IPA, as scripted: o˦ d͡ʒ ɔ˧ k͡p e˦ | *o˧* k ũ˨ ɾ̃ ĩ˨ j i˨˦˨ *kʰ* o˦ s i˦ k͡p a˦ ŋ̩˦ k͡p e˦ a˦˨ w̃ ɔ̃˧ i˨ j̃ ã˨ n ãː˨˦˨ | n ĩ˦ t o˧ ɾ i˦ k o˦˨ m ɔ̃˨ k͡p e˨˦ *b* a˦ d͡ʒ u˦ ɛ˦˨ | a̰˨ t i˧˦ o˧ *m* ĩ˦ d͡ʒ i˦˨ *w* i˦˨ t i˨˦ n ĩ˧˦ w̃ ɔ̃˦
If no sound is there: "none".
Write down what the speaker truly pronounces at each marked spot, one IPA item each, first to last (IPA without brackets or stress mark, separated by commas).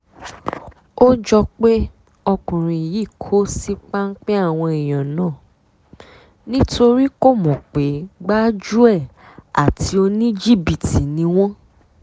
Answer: ɔ˧, kʰ, ɡ͡b, n, b